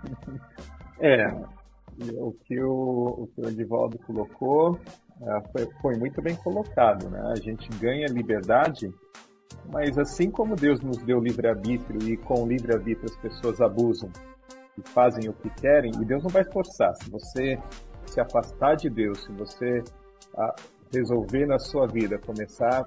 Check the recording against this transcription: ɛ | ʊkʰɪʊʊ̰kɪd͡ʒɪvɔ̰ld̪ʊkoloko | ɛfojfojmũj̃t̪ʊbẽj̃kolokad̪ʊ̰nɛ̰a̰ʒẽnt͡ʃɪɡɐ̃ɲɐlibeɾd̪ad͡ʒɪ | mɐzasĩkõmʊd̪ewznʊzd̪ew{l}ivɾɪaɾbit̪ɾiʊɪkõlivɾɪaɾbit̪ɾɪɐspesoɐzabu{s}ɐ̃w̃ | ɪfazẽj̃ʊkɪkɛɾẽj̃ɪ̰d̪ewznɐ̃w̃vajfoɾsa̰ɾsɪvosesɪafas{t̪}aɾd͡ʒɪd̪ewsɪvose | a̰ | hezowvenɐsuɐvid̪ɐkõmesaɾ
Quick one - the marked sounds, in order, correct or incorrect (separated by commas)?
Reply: correct, incorrect, correct